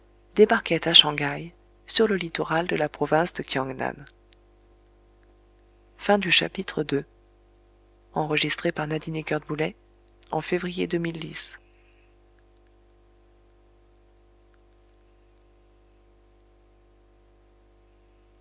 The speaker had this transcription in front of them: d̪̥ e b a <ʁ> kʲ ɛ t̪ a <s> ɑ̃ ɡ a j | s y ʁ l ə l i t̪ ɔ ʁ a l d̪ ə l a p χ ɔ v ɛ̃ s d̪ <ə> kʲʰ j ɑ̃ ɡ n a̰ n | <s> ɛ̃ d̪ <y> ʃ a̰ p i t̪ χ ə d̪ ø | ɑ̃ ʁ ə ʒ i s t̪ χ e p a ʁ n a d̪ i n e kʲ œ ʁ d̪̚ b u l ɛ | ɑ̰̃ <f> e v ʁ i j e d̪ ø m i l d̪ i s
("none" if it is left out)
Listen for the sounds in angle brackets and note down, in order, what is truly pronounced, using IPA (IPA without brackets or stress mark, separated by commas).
ʁ, ʃ, ə, f, y, f